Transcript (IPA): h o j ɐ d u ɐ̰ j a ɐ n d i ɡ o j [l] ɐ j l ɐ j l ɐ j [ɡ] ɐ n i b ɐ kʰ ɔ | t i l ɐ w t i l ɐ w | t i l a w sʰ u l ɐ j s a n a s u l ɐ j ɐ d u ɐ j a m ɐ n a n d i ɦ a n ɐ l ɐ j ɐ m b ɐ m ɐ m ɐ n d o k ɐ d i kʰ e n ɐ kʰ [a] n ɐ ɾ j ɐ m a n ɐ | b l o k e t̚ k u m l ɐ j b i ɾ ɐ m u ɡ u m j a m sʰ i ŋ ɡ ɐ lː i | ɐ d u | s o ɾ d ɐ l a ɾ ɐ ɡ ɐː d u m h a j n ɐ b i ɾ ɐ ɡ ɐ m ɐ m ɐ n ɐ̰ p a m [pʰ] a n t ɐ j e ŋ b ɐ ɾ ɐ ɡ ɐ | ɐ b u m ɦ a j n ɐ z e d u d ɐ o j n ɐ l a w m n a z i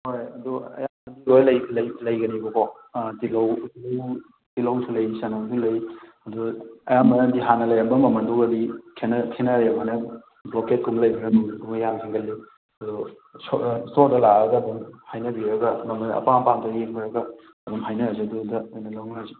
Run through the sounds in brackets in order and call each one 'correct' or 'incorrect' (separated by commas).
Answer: correct, correct, incorrect, incorrect